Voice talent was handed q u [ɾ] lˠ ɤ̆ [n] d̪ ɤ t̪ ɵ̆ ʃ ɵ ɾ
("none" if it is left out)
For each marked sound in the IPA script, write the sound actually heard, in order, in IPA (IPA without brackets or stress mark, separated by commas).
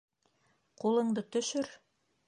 none, ɴ